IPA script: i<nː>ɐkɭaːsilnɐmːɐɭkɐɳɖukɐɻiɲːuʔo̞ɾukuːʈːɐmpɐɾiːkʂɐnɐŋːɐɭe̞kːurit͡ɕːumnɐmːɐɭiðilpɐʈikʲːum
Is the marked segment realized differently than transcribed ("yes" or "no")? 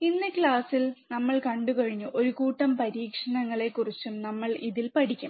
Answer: no